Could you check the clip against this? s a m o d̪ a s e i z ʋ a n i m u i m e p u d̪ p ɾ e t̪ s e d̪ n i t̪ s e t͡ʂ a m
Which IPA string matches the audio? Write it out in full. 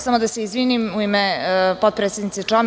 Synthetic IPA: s a m o d̪ a s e i z ʋ i n i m u i m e p o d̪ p ɾ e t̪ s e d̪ n i t̪ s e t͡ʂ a m